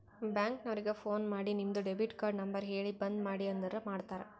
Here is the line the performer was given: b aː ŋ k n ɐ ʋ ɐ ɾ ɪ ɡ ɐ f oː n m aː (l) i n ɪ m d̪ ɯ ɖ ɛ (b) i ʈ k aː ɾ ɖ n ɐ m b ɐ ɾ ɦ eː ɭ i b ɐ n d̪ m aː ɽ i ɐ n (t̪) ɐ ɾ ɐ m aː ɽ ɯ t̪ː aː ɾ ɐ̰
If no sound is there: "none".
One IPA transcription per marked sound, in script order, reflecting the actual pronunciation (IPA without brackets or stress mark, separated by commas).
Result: ɽ, b, d̪